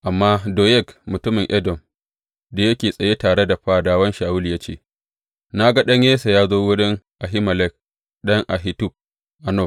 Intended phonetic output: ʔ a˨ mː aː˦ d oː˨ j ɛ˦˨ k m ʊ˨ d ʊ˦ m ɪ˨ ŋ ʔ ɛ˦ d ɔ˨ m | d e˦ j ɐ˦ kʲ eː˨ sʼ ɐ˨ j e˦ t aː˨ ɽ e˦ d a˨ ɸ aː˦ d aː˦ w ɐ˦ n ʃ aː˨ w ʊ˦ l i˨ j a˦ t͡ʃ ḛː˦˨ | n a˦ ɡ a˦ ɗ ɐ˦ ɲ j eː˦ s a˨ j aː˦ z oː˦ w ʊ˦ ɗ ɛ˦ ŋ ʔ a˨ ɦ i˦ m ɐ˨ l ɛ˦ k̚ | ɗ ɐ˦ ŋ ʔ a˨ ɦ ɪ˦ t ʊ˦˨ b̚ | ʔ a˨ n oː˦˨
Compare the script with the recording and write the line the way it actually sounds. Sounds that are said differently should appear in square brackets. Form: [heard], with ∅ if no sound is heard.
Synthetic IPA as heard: ʔ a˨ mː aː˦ d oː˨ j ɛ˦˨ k m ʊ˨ [t] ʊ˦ m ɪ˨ ŋ ʔ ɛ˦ d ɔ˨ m | d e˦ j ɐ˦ kʲ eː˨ sʼ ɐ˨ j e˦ t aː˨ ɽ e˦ d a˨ ɸ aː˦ d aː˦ w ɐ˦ n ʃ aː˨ w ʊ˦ l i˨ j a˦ t͡ʃ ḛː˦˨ | n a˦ ɡ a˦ ɗ ɐ˦ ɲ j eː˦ s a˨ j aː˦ z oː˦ w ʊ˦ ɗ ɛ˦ ŋ ʔ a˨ ɦ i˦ m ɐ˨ l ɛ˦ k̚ | ɗ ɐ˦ ŋ ʔ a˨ ɦ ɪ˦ t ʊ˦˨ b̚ | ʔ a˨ n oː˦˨